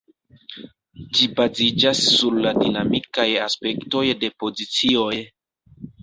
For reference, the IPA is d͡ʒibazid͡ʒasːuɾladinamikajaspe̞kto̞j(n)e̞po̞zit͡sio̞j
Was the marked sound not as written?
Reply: yes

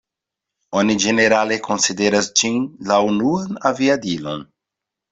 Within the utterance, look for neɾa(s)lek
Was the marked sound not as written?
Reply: yes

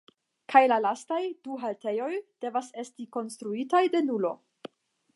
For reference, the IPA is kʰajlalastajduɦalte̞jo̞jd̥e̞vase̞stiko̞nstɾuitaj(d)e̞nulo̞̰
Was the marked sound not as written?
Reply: no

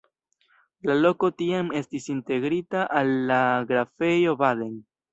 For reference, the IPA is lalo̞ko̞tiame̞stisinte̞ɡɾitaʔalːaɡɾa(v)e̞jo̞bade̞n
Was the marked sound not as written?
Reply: yes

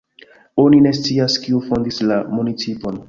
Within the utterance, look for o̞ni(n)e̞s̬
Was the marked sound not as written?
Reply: no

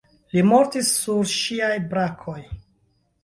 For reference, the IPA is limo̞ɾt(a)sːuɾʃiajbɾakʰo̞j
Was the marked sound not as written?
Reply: yes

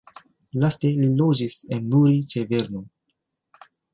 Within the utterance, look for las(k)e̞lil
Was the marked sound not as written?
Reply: yes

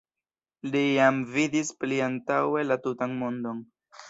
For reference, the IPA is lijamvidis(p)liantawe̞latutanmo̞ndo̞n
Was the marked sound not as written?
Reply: no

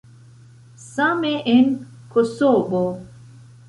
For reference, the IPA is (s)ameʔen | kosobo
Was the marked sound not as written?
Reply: no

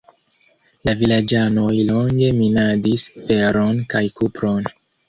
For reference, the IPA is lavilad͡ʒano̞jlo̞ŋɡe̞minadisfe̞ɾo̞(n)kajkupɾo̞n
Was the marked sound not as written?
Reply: no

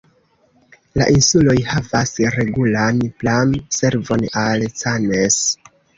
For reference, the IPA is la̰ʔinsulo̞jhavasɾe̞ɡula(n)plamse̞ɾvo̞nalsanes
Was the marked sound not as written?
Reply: no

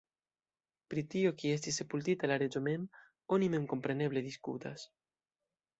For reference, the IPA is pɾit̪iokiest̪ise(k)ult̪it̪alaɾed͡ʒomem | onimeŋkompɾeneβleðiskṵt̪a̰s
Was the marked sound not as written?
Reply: yes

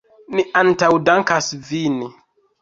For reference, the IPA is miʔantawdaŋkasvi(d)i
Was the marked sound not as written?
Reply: yes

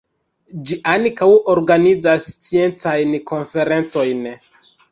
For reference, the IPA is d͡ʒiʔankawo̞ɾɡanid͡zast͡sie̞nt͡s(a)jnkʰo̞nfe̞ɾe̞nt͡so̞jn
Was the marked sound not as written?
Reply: no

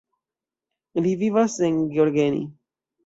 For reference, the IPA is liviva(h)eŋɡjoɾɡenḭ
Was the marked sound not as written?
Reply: yes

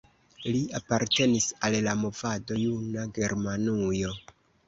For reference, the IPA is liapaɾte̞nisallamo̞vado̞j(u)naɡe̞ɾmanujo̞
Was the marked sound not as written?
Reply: no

